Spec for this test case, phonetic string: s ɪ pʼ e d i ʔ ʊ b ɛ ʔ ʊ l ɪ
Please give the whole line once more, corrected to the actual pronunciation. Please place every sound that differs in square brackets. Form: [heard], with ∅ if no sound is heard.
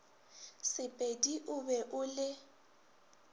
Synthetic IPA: s ɪ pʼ e d i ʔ ʊ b ɛ ʔ ʊ l ɪ